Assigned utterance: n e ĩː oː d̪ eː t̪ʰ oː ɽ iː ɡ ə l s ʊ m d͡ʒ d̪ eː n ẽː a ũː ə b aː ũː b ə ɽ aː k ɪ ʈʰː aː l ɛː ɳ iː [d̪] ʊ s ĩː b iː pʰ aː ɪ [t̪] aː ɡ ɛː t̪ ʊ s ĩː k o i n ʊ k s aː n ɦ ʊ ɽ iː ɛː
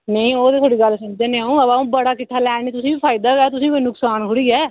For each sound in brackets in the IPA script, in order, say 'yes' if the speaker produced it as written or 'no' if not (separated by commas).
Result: no, no